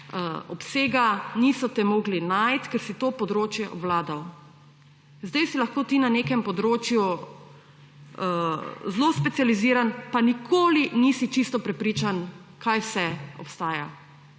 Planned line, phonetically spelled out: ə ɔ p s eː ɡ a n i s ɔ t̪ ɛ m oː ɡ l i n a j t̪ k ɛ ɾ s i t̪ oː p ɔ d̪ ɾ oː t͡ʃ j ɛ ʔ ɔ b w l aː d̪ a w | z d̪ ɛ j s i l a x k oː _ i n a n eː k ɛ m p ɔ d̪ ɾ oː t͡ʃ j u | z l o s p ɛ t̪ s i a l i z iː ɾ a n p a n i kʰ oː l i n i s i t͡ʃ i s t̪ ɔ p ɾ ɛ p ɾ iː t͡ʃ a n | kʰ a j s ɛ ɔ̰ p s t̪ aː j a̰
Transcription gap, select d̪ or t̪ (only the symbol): t̪